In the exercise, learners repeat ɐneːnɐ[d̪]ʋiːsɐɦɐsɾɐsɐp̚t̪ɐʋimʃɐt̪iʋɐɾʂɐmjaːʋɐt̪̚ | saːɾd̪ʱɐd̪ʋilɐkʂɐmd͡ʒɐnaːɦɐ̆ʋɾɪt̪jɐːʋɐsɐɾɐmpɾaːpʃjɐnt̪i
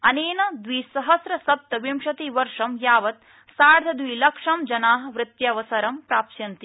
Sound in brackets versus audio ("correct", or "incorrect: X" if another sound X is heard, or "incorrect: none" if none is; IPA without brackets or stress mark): correct